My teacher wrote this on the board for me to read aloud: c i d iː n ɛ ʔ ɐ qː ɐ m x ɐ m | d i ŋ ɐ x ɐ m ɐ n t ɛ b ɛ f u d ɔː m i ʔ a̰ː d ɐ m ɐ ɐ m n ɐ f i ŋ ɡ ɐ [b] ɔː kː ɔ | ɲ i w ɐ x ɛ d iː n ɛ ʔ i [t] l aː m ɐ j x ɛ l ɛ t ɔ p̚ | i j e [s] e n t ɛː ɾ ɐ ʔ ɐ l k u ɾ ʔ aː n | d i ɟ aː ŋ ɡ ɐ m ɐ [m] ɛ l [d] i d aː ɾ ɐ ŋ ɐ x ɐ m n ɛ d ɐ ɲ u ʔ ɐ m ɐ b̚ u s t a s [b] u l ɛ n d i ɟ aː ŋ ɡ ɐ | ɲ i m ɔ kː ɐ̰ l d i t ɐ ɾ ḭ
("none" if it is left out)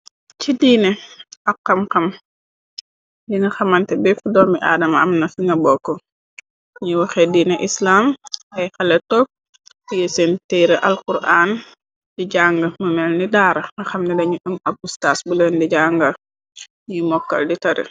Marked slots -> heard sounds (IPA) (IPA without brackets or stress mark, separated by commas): b, s, s, m, n, b